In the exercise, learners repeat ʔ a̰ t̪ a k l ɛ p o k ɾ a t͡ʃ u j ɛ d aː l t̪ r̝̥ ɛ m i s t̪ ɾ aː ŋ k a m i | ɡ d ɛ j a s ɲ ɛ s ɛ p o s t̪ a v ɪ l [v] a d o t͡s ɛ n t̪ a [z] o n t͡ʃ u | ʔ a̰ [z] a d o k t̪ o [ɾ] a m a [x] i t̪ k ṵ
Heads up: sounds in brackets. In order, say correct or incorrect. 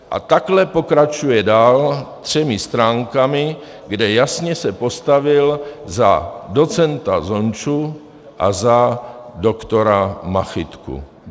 incorrect: z, correct, correct, correct, correct

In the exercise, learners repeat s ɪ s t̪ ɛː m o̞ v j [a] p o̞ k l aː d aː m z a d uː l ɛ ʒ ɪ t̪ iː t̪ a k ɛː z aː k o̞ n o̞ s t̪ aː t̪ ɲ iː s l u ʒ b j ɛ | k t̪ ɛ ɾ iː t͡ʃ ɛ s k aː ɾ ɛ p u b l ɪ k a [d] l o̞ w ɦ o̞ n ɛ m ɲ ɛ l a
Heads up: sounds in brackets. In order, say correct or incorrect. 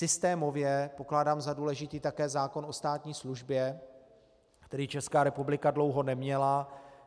incorrect: ɛ, correct

